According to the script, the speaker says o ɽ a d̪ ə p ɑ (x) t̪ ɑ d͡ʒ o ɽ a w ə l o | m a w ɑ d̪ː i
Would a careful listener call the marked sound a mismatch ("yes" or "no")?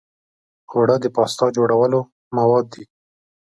yes